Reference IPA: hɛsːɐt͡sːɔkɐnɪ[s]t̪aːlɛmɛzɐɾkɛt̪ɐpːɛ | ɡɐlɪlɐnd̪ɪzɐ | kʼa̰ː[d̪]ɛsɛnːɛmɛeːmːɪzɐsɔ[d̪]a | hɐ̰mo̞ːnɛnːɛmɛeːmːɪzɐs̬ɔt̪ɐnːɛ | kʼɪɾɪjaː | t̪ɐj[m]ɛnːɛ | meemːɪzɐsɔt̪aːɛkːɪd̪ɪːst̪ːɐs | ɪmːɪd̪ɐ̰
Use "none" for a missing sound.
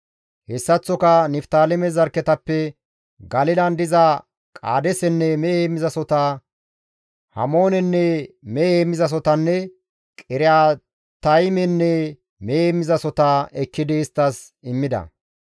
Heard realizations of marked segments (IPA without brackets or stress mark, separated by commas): f, d̪, t̪, m